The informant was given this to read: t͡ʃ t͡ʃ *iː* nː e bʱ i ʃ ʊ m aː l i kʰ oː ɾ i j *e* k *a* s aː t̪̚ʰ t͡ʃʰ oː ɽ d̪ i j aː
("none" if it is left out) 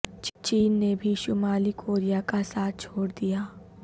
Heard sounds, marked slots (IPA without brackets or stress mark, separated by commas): iː, a, a